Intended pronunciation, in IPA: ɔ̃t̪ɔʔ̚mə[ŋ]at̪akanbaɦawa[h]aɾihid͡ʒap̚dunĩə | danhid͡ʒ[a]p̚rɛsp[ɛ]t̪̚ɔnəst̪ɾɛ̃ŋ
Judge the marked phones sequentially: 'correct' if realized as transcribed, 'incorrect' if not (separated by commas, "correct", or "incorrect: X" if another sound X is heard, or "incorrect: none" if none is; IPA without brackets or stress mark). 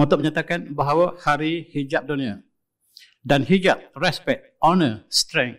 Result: incorrect: ɲ, correct, correct, correct